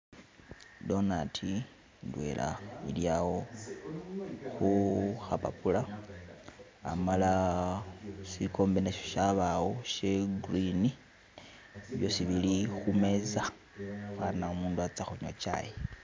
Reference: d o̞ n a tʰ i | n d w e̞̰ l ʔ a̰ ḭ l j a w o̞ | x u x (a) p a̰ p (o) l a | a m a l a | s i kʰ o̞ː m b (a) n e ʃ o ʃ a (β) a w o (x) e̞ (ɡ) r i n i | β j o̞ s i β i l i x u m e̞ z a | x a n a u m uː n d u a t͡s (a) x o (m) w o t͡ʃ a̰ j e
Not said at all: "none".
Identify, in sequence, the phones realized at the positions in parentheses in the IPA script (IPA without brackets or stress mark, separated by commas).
a, u, e, β, ʃ, ɡ, a, ɲ